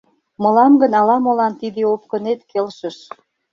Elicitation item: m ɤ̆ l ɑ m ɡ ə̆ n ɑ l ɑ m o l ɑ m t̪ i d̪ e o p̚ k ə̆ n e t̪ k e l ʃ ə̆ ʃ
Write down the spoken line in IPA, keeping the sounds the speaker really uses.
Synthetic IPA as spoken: m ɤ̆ l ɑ m ɡ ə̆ n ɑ l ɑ m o l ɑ n t̪ i d̪ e o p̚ k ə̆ n e t̪ k e l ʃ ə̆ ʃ